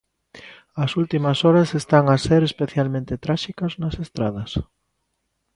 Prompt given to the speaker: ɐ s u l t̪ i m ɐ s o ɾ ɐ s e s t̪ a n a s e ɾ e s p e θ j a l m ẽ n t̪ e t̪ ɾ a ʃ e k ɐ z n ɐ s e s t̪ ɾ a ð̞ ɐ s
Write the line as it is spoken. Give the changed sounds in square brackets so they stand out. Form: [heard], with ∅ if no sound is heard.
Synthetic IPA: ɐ s u l t̪ i m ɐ s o ɾ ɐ s e s t̪ a [ŋ] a s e ɾ e s p e θ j a l m ẽ n t̪ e t̪ ɾ a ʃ [i] k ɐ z n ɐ s e s t̪ ɾ a ð̞ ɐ s